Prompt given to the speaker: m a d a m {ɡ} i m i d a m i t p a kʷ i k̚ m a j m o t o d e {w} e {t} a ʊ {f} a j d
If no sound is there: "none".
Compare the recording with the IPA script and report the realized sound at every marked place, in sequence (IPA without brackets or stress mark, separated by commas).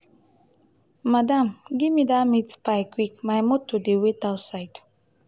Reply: ɡ, w, t, s